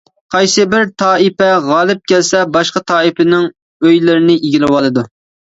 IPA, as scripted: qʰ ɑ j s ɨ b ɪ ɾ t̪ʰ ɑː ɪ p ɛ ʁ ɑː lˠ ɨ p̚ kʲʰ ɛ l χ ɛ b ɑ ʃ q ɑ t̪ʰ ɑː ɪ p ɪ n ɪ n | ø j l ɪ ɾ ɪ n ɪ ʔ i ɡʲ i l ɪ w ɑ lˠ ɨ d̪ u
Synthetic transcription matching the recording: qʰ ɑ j s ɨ b ɪ ɾ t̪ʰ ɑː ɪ p ɛ ʁ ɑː lˠ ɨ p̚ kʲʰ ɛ l s ɛ b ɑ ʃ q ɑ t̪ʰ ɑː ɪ p ɪ n ɪ ŋ | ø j l ɪ ɾ ɪ n ɪ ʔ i ɡʲ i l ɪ w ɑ lˠ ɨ d̪ u